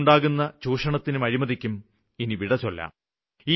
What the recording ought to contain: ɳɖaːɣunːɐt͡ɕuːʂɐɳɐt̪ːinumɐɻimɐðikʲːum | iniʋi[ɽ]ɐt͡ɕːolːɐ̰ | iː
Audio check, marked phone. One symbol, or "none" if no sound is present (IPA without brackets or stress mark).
ɽ